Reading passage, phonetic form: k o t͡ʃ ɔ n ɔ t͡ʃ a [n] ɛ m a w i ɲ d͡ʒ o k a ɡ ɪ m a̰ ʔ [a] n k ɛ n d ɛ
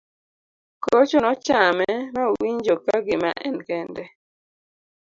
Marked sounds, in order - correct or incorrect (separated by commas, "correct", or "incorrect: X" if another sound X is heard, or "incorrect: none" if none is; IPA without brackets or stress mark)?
incorrect: m, incorrect: ɛ